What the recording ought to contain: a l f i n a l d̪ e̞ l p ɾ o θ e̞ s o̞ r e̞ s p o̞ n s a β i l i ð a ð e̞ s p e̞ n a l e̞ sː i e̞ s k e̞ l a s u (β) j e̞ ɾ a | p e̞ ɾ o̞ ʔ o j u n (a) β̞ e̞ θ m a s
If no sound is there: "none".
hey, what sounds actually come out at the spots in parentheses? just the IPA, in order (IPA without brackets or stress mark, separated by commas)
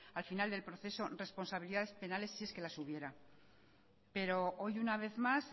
β, a